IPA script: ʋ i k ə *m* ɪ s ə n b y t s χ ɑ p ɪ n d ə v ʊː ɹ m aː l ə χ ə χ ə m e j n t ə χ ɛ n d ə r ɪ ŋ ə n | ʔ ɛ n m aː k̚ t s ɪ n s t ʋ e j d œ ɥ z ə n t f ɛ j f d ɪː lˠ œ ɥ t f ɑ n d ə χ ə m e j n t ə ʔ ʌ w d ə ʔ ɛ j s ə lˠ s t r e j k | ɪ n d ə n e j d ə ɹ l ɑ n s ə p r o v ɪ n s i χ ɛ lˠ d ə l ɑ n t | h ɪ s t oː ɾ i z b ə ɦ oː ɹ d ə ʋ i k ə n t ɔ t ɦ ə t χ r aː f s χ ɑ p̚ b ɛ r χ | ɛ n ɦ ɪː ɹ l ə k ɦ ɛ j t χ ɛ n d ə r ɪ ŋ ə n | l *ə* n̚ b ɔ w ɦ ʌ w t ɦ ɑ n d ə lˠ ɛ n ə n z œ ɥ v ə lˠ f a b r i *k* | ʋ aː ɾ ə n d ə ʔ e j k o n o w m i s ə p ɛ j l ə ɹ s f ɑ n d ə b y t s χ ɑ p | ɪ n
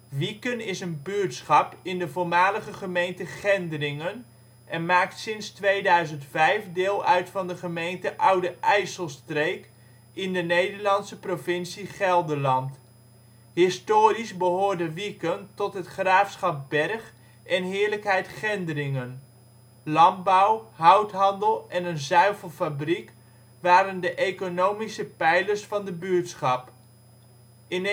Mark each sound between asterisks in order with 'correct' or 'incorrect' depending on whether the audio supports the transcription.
incorrect: n, incorrect: ɑ, correct

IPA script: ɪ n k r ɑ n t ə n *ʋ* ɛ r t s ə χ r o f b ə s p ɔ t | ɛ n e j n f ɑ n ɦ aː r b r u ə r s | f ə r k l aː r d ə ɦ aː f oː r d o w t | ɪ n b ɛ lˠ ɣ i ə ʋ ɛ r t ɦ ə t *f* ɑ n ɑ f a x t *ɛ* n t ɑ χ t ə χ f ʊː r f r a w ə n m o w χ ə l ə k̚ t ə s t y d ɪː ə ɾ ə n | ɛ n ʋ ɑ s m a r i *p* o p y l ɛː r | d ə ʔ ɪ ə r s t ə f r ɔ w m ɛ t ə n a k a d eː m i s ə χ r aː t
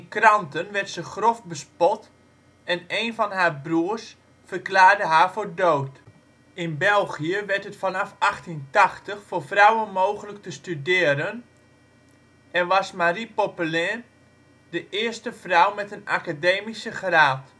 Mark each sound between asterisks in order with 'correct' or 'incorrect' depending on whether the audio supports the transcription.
correct, correct, incorrect: i, correct

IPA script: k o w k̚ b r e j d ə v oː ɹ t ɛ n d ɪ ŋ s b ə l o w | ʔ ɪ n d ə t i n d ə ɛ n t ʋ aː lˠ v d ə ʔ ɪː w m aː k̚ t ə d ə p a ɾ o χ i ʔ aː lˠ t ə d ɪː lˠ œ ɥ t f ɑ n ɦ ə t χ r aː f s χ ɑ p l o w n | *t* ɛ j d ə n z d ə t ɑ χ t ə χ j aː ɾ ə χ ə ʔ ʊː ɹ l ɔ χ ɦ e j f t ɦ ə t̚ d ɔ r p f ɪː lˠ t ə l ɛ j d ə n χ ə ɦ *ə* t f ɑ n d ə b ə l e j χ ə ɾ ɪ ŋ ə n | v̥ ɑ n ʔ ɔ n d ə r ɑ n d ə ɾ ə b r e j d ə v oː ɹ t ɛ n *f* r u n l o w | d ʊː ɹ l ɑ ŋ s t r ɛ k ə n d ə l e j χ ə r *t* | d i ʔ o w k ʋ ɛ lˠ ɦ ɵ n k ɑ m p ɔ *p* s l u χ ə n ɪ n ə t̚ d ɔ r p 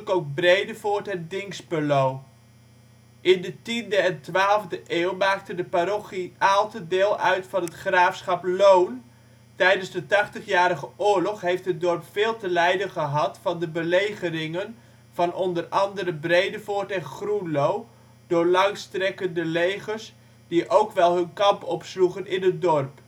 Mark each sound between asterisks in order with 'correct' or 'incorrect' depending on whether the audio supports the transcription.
correct, incorrect: ɑ, incorrect: χ, incorrect: s, correct

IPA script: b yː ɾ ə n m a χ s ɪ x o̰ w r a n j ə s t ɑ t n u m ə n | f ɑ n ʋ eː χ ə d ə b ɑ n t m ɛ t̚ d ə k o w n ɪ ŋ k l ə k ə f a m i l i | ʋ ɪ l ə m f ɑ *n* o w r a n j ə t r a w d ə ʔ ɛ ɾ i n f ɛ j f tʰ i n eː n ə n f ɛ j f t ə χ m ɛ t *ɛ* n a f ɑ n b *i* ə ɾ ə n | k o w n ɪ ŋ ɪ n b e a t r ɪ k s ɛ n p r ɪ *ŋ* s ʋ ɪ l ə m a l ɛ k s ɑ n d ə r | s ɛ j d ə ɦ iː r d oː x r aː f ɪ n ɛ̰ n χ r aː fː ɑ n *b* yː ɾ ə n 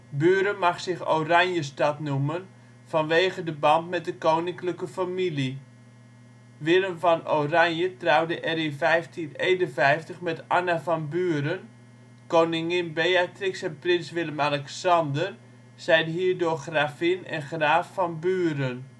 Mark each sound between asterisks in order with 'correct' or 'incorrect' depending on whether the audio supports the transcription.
correct, incorrect: a, incorrect: y, incorrect: n, correct

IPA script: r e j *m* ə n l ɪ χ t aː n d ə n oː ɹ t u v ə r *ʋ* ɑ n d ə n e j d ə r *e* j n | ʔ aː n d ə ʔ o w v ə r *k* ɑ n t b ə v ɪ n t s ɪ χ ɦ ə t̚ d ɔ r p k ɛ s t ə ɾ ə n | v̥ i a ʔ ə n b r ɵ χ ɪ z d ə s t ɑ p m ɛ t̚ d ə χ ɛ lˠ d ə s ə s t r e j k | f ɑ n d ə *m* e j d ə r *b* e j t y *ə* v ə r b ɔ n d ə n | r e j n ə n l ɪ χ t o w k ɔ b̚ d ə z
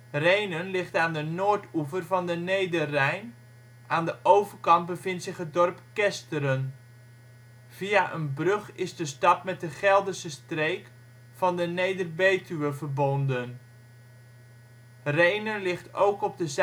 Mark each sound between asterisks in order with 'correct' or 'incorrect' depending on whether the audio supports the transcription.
incorrect: n, incorrect: v, incorrect: ɛ, correct, incorrect: n, correct, correct

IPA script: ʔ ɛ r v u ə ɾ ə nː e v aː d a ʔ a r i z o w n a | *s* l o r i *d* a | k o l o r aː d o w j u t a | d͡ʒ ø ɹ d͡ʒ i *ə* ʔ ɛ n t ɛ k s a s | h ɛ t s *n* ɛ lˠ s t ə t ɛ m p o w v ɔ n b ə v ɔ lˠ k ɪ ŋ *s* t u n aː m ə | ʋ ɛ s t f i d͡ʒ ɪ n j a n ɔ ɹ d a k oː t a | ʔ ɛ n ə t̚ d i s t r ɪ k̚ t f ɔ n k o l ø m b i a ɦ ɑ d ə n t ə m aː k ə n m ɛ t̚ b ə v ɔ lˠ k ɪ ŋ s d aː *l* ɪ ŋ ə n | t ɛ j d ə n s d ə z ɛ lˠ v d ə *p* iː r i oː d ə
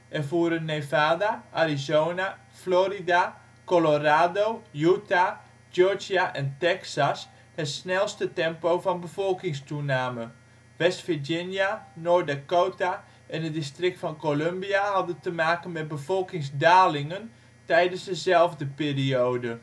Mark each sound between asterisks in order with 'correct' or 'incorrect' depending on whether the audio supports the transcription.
incorrect: f, correct, incorrect: a, correct, correct, correct, correct

